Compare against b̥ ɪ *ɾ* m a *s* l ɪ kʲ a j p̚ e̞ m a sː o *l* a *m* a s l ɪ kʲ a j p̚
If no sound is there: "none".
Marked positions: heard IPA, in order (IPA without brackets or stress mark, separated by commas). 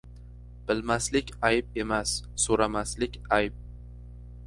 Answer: l, s, ɾ, m